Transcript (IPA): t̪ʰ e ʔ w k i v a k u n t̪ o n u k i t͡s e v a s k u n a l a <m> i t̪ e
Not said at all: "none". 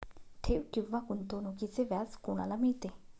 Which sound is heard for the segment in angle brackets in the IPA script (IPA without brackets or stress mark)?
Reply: m